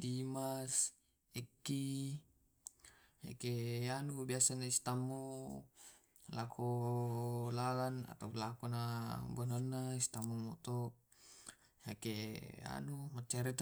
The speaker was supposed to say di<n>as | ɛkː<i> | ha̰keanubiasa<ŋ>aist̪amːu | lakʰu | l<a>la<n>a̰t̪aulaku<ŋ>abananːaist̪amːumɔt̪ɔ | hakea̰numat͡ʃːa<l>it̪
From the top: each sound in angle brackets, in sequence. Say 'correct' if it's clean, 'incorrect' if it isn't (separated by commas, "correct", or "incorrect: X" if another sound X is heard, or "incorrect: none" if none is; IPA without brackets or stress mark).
incorrect: m, correct, incorrect: n, correct, correct, incorrect: n, incorrect: ɾ